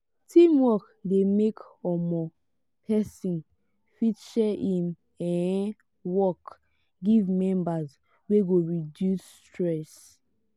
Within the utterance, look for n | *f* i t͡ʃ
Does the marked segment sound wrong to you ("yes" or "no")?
no